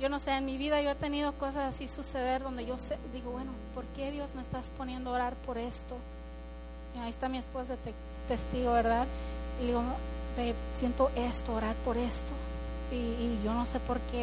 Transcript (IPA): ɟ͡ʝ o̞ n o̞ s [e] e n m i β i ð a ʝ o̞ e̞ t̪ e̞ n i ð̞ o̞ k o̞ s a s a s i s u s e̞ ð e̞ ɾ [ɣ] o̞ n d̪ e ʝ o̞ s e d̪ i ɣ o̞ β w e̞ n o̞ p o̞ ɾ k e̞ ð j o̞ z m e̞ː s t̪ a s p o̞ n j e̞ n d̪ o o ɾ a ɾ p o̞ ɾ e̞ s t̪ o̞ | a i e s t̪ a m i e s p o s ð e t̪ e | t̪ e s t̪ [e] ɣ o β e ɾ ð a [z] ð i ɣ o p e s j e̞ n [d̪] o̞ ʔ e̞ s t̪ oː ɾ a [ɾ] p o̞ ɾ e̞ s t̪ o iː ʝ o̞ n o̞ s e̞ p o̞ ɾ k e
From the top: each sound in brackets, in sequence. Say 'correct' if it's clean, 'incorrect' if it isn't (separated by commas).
correct, incorrect, incorrect, incorrect, incorrect, correct